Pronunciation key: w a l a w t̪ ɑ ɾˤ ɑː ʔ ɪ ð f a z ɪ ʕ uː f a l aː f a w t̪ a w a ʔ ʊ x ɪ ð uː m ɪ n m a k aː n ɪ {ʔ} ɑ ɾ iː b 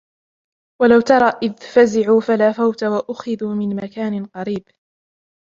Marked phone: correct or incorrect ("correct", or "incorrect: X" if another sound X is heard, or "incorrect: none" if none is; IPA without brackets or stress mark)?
incorrect: q